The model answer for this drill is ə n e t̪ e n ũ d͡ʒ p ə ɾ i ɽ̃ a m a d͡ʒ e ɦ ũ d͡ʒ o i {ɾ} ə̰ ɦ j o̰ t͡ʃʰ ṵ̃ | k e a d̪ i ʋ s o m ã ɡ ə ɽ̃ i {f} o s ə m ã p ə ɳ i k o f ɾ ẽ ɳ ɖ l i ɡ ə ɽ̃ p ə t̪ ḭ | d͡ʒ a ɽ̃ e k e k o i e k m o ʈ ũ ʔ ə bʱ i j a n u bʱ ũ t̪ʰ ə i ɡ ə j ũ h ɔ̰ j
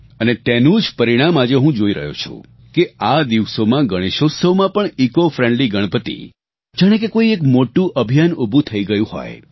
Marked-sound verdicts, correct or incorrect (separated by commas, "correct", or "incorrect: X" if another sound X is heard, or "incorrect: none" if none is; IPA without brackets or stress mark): correct, incorrect: ʃ